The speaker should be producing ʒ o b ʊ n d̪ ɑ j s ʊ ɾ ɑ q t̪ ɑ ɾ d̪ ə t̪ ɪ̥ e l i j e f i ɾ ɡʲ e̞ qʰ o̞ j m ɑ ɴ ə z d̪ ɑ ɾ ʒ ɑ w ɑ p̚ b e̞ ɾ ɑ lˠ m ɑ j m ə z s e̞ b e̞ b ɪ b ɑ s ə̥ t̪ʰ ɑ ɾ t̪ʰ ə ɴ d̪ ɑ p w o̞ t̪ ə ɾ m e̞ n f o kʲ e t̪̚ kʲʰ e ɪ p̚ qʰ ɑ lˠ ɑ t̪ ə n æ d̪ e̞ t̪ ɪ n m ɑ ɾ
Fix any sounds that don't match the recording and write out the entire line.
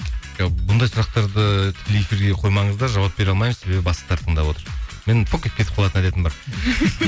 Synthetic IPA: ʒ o b ʊ n d̪ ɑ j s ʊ ɾ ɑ q t̪ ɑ ɾ d̪ ə t̪ʰ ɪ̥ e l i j e f i ɾ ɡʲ e̞ qʰ o̞ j m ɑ ɴ ə z d̪ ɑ ɾ ʒ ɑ w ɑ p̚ b e̞ ɾ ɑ lˠ m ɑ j m ə z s e̞ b e̞ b ɪ b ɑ s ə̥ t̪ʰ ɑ ɾ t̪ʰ ə ɴ d̪ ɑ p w o̞ t̪ ə ɾ m e̞ n f o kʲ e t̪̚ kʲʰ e ɪ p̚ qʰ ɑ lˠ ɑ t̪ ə n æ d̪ e̞ t̪ ɪ n b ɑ ɾ